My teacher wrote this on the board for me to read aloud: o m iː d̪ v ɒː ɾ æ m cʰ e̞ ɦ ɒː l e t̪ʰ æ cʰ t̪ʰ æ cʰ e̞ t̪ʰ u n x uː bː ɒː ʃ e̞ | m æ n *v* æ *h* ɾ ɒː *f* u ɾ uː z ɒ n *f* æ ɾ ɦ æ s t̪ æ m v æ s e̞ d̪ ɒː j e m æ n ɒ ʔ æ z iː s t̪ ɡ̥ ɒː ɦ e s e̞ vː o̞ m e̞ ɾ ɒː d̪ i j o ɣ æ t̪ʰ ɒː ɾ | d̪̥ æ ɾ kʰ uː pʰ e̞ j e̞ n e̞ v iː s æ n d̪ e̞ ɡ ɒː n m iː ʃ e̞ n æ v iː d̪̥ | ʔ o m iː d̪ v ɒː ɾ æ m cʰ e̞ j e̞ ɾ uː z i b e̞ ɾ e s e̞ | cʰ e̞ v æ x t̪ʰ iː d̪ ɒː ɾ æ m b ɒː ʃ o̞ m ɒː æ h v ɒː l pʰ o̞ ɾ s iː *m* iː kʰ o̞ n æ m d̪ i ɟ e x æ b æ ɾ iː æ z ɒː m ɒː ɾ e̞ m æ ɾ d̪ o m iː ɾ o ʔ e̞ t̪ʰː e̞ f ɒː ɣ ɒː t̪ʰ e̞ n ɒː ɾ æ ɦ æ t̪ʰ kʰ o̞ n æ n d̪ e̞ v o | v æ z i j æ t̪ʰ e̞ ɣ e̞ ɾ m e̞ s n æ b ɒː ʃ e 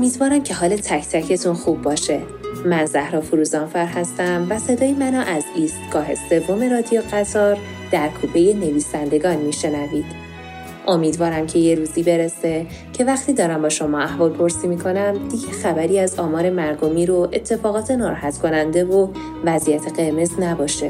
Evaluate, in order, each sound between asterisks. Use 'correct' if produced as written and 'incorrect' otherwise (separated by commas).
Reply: incorrect, correct, correct, correct, correct